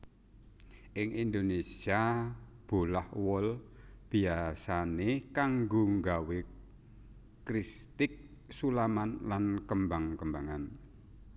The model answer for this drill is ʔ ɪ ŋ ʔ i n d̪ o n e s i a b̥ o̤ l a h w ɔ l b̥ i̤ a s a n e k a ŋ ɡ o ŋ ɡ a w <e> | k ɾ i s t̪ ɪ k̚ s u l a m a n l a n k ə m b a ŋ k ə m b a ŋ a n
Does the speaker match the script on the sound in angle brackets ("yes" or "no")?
yes